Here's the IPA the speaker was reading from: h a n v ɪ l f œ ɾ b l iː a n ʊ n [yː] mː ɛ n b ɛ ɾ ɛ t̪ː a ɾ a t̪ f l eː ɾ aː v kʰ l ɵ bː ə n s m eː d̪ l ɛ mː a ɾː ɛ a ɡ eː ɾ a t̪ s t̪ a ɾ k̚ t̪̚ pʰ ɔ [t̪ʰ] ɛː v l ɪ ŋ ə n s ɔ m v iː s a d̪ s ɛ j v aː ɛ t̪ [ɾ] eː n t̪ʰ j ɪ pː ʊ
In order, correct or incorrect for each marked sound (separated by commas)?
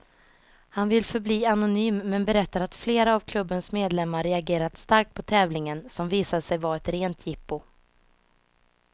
correct, correct, correct